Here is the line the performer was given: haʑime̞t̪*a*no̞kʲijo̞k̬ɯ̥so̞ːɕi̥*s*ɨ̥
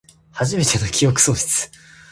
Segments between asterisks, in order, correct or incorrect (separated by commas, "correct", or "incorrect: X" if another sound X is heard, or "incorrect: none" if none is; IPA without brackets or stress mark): incorrect: e, incorrect: t͡s